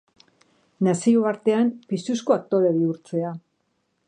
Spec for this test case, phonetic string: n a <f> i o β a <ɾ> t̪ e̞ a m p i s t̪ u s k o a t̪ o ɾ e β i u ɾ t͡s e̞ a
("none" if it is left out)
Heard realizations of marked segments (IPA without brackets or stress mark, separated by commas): s, ɾ